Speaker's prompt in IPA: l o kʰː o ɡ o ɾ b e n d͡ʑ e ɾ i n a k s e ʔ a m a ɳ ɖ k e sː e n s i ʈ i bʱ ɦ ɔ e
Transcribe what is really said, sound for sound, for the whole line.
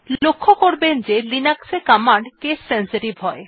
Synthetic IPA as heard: l o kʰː o k o ɾ b e n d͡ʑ e l i n a k s e k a m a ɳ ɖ k e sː e n s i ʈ i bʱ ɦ ɔ e